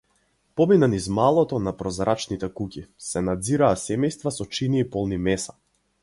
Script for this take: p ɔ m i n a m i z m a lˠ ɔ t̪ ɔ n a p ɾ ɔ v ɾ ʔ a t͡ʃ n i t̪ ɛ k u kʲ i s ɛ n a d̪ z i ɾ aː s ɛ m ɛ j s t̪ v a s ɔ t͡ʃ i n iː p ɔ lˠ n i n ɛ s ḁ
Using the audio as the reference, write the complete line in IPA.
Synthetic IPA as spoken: p ɔ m i n a n i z m a lˠ ɔ t̪ ɔ n a p ɾ ɔ z ɾ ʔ a t͡ʃ n i t̪ ɛ k u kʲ i s ɛ n a d̪ z i ɾ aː s ɛ m ɛ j s t̪ v a s ɔ t͡ʃ i n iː p ɔ lˠ n i m ɛ s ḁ

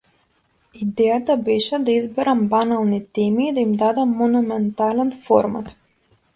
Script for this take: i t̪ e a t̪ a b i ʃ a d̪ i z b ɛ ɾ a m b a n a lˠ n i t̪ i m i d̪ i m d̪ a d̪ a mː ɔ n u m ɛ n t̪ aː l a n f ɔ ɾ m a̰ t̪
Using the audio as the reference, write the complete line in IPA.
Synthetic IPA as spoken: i d̪ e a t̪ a b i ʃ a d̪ i z b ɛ ɾ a m b a n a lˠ n i t̪ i m i d̪ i m d̪ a d̪ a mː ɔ n u m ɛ n t̪ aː l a n f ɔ ɾ m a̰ t̪

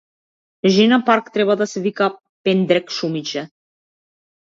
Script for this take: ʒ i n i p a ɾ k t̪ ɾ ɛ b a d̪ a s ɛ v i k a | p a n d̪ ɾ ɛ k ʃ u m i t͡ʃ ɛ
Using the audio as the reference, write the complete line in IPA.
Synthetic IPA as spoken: ʒ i n a p a ɾ k t̪ ɾ ɛ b a d̪ a s ɛ v i k a | p ɛ n d̪ ɾ ɛ k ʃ u m i t͡ʃ ɛ

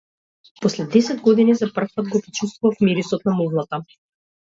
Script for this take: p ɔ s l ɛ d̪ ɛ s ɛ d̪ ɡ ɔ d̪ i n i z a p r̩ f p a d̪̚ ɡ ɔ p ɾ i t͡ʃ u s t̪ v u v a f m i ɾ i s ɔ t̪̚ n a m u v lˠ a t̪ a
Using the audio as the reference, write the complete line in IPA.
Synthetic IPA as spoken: p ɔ s l ɛ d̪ ɛ s ɛ d̪ ɡ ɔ d̪ i n i z a p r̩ f p a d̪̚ ɡ ɔ p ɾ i t͡ʃ u s t̪ v u v a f m i ɾ i s ɔ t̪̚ n a m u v lˠ a t̪ a

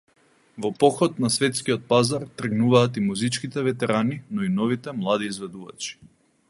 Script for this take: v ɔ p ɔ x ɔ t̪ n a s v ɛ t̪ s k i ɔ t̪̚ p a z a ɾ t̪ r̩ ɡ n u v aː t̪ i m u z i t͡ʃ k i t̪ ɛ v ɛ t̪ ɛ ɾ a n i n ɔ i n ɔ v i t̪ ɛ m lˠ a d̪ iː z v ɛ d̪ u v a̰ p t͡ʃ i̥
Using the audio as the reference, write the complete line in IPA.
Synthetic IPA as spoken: v ɔ p ɔ x ɔ t̪ n a s v ɛ t̪ s k i ɔ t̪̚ p a z a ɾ t̪ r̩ ɡ n u v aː t̪ i m u z i t͡ʃ k i t̪ ɛ v ɛ t̪ ɛ ɾ a n i n ɔ i n ɔ v i t̪ ɛ m lˠ a d̪ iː z v ɛ d̪ u v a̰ t͡ʃ i̥

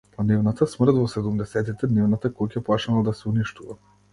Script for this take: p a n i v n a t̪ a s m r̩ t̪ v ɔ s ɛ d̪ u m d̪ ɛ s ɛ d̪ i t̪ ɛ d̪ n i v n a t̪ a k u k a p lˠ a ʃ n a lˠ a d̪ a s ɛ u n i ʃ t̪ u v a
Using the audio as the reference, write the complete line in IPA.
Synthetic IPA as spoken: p a n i v n a t̪ a s m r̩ t̪ v ɔ s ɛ d̪ u m d̪ ɛ s ɛ t̪ i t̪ ɛ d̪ n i v n a t̪ a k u k a p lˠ a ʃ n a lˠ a d̪ a s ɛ u n i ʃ t̪ u v a

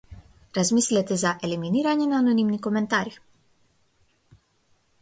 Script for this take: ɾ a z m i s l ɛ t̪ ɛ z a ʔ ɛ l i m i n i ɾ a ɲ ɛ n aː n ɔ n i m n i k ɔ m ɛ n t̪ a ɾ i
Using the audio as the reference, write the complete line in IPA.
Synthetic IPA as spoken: ɾ a z m i s l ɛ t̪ ɛ z a ʔ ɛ l i m i n i ɾ a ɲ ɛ n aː n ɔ n i m n i k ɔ m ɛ n t̪ a ɾ i

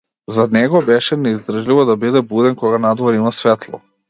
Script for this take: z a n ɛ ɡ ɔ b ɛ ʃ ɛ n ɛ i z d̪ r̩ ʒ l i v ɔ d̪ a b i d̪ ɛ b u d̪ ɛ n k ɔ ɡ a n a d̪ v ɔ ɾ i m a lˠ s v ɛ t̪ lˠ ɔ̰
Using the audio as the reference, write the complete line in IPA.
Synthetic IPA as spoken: z a n ɛ ɡ ɔ b ɛ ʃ ɛ n ɛ i z d̪ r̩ ʒ l i v ɔ d̪ a b i d̪ ɛ b u d̪ ɛ n k ɔ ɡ a n a d̪ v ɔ ɾ i m a s v ɛ t̪ lˠ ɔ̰

